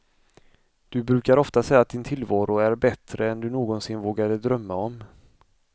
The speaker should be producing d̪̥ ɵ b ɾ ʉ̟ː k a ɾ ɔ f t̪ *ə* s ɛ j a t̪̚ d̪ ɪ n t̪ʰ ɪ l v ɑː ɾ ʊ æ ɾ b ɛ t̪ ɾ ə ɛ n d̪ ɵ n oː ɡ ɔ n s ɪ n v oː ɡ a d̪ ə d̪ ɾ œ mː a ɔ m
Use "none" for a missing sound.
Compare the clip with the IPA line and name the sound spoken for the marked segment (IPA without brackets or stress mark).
a